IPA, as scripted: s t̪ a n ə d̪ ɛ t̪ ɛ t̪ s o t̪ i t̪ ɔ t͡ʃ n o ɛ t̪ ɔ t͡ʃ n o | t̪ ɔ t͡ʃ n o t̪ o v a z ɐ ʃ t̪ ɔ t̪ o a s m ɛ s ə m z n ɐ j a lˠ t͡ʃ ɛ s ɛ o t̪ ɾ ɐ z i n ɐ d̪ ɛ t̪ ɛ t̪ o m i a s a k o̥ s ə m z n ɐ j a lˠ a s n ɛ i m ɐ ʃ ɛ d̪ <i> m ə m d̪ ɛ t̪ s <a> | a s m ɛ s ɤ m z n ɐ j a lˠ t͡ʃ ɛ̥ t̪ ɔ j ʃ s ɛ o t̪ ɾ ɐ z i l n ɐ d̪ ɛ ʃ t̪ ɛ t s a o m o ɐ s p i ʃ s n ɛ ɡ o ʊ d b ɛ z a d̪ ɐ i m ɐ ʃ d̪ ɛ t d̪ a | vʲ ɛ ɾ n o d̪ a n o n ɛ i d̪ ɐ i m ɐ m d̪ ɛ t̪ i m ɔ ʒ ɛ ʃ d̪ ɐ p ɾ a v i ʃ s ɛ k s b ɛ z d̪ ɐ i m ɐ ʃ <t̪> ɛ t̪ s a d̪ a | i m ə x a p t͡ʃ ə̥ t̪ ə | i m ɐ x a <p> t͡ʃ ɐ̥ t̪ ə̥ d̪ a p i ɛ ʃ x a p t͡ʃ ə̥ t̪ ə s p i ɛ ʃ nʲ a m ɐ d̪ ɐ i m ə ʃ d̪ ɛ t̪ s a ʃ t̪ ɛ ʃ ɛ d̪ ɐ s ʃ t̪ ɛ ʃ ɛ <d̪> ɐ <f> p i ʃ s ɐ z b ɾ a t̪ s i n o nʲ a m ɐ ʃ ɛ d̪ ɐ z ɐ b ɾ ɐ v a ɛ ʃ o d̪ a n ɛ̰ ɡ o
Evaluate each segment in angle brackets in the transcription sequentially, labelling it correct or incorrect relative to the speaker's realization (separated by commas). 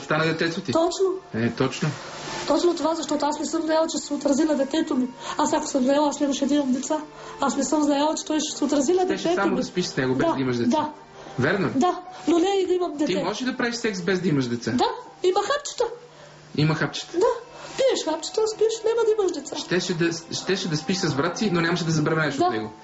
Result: correct, correct, incorrect, correct, correct, incorrect